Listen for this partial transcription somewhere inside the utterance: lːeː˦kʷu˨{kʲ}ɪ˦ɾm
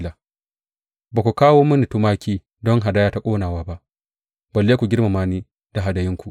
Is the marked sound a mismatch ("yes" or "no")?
yes